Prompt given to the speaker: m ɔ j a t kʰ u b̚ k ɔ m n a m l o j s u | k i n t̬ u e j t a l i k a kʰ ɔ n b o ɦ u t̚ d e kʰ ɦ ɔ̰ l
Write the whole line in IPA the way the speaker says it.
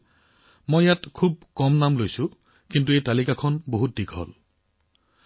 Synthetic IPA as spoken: m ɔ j a t kʰ u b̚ k ɔ m n a m l o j s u | k i n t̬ u e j t a l i k a kʰ ɔ n b o ɦ u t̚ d i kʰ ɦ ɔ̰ l